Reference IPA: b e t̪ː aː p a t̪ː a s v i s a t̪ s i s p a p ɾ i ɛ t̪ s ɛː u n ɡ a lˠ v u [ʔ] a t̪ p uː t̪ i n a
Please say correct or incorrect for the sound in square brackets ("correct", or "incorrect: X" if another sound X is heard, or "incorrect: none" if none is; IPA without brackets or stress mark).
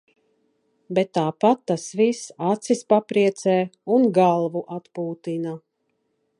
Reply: correct